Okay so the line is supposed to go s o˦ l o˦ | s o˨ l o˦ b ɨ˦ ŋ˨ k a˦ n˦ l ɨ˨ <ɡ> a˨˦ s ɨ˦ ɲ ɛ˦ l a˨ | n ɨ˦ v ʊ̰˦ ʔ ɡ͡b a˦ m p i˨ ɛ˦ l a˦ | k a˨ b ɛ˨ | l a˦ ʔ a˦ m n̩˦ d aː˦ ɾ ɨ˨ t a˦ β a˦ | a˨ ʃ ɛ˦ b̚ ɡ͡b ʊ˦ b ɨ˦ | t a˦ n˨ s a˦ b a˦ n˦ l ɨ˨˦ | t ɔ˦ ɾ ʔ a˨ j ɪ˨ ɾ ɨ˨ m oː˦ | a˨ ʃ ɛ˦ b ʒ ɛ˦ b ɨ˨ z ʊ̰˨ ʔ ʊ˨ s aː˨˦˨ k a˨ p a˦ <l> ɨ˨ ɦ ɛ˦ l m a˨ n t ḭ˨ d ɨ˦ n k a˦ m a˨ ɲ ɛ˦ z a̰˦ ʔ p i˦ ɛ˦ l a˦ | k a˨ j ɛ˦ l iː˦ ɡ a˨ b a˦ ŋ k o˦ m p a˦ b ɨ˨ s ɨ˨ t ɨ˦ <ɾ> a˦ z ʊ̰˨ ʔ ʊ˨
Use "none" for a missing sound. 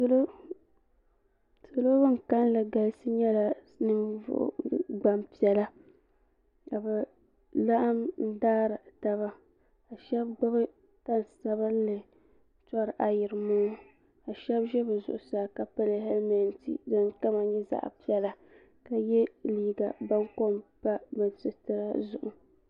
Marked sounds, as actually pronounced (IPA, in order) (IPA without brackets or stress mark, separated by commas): ɡ, l, ɾ